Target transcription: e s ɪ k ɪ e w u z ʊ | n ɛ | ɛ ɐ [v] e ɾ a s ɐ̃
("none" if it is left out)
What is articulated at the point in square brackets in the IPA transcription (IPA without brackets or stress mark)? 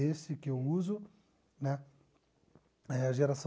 ʒ